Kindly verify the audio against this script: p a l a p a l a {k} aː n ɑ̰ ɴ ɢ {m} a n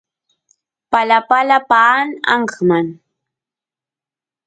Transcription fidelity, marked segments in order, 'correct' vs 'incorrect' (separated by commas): incorrect, correct